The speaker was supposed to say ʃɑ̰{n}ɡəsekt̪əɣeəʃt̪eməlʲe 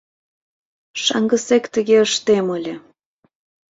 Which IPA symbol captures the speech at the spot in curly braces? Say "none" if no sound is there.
ŋ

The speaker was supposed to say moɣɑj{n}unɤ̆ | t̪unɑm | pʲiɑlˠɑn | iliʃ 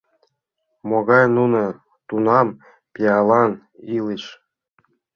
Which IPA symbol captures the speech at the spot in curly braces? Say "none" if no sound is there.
n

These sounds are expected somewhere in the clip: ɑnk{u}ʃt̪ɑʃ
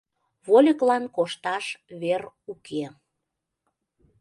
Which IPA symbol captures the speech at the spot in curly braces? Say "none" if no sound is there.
o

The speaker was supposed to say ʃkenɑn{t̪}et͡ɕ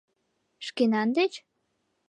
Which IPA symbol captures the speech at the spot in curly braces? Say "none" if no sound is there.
d̪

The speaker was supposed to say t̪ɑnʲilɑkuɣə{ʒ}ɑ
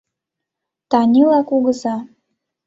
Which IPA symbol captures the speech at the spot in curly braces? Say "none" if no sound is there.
z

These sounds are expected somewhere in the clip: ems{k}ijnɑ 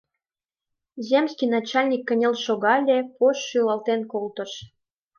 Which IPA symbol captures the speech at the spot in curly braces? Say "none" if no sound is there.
k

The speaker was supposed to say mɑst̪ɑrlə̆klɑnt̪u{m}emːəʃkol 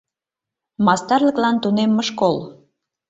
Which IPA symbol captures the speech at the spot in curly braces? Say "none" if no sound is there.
n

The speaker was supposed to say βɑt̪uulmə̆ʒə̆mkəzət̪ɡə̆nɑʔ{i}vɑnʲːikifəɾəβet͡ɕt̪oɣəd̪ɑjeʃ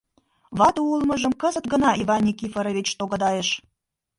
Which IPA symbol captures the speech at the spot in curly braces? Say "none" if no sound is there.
i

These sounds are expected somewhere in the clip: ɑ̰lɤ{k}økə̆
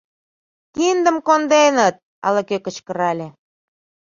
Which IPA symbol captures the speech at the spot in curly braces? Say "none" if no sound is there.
k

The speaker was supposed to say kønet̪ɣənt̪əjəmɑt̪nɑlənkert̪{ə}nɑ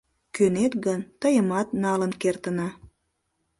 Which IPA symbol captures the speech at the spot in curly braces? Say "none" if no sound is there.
ə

